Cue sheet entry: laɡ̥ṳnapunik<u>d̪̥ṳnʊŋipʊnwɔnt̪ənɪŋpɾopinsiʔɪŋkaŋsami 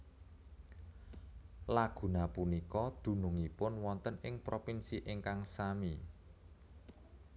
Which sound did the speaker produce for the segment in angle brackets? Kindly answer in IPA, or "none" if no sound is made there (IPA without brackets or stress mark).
ɔ